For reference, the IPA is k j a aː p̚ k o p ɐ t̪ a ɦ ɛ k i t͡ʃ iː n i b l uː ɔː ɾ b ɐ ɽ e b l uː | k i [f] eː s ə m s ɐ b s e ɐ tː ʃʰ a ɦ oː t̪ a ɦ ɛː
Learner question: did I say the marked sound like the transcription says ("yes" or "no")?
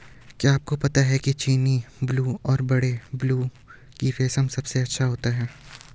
yes